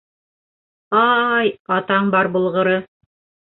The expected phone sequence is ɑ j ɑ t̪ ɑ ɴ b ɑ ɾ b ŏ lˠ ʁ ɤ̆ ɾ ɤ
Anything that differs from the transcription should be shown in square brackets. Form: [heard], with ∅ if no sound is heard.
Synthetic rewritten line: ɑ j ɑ t̪ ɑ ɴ b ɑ ɾ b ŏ lˠ ʁ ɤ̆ ɾ ɤ